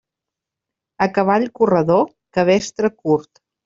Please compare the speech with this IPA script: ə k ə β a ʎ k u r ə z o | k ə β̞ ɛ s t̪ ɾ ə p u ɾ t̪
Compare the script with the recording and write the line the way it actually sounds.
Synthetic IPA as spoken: ə k ə β a ʎ k u r ə ð o | k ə β̞ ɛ s t̪ ɾ ə k u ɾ t̪